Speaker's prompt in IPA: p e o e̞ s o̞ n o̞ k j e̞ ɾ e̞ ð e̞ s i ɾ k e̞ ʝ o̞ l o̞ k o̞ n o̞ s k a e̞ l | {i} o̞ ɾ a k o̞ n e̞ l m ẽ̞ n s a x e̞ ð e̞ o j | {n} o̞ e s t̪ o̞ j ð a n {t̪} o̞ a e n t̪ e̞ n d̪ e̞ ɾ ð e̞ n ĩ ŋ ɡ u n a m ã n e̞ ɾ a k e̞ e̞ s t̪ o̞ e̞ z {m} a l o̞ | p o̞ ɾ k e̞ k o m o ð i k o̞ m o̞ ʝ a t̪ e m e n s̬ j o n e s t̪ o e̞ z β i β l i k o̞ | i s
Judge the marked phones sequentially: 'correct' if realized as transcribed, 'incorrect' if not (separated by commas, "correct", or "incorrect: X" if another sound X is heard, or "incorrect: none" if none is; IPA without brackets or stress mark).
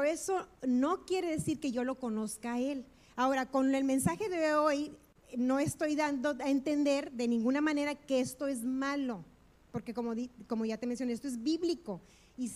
incorrect: a, correct, incorrect: d̪, correct